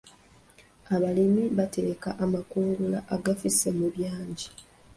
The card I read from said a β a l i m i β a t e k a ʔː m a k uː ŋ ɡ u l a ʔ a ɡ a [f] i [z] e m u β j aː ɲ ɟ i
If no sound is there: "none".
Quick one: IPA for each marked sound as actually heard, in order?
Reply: f, s

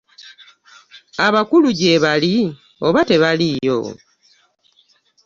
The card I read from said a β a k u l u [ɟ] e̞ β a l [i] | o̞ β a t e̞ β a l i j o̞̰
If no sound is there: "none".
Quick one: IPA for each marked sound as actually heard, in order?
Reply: ɟ, i

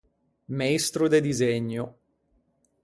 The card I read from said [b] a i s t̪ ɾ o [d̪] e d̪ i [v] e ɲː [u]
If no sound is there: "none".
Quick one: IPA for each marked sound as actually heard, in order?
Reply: m, d̪, z, o

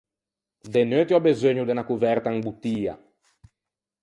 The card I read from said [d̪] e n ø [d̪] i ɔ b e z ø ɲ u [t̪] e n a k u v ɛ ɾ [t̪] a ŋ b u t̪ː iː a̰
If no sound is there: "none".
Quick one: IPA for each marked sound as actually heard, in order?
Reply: d̪, t̪, d̪, t̪

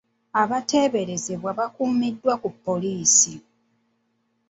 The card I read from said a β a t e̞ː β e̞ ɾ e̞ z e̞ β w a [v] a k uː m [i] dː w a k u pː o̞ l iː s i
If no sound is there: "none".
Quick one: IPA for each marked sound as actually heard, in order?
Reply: β, i

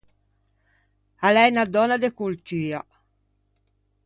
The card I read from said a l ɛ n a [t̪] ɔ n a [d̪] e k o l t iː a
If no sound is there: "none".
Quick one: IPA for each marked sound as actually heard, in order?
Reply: d̪, d̪

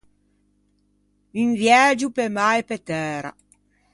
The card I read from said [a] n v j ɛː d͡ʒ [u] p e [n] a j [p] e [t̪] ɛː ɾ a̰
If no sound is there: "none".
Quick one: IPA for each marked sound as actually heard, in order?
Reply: i, u, m, p, t̪

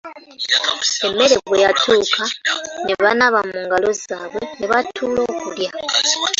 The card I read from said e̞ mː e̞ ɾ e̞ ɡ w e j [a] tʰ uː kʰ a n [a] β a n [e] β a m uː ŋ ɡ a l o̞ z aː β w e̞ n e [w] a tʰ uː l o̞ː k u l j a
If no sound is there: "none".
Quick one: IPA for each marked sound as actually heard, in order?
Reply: a, e, a, β

